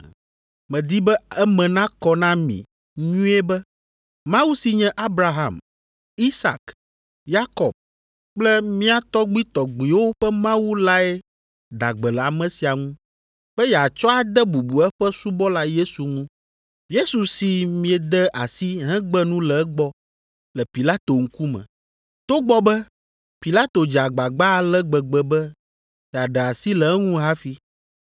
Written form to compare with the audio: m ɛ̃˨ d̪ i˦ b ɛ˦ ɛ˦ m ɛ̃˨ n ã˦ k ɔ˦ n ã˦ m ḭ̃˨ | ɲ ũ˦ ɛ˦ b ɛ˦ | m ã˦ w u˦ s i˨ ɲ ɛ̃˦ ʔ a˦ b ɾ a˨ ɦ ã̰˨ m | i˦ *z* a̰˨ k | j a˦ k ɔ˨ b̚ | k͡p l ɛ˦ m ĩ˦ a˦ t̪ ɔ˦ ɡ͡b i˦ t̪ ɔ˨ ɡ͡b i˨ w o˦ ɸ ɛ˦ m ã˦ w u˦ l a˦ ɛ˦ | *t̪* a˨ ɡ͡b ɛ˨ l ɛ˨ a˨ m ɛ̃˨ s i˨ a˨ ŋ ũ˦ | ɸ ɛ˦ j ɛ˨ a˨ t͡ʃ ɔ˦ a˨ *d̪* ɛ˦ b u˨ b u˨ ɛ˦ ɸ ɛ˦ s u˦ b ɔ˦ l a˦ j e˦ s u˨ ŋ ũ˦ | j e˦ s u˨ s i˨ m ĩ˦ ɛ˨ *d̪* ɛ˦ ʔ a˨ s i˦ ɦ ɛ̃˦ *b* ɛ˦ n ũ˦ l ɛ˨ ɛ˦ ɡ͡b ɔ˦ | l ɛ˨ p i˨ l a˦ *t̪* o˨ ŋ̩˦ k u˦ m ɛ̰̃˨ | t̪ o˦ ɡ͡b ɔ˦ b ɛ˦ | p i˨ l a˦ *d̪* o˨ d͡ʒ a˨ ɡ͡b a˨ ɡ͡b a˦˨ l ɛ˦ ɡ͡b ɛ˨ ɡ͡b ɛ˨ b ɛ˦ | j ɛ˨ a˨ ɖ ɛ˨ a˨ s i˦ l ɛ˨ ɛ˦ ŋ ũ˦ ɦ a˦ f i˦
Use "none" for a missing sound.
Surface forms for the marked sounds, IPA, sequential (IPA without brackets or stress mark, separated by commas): s, d̪, d̪, d̪, ɡ͡b, t̪, t̪